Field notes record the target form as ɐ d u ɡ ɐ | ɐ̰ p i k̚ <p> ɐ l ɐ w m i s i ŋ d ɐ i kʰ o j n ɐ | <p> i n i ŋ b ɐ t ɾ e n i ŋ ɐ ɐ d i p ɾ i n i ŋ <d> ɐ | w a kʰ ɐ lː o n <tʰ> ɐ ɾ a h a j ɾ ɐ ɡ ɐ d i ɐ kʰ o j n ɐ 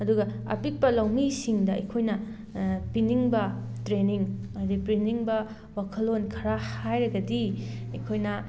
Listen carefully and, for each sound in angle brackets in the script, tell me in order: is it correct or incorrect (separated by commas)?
correct, correct, incorrect, incorrect